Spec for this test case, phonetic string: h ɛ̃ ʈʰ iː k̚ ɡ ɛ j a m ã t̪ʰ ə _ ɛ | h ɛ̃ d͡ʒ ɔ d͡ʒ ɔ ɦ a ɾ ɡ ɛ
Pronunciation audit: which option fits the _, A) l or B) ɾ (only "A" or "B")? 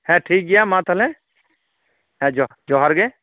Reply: A